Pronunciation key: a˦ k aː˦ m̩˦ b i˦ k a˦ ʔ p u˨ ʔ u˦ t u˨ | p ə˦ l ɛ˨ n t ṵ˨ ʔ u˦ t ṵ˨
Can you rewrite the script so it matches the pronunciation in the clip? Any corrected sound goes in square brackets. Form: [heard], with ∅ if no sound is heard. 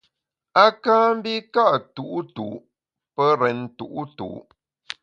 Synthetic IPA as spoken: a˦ k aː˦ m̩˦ b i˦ k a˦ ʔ [t] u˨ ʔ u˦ t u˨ | p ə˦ [ɾ] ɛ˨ n t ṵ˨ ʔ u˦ t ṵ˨